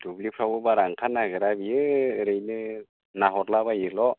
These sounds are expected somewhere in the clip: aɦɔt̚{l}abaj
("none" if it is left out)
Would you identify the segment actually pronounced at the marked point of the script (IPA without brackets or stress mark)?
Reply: l